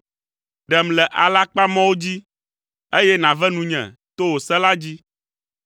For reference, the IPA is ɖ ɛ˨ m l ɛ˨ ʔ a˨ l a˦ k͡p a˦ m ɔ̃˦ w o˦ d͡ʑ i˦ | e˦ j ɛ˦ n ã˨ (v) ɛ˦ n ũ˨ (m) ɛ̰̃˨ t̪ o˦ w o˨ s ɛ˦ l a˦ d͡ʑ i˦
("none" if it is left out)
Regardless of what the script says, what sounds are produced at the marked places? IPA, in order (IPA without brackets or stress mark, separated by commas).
v, ɲ